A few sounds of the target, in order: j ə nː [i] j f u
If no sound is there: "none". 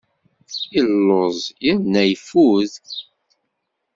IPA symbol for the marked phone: æ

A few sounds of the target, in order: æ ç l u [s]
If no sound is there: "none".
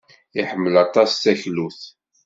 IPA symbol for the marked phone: θ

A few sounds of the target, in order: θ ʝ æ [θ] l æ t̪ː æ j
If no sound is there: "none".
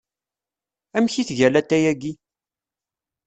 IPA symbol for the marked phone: none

